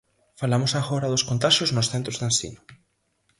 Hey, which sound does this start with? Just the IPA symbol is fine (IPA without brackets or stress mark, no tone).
f